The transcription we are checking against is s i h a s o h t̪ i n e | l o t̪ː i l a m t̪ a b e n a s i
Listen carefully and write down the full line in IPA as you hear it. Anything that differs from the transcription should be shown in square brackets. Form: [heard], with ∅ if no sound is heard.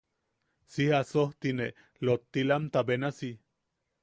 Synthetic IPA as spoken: s i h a s o h t̪ i n e | l o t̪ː i l a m t̪ a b e n a s i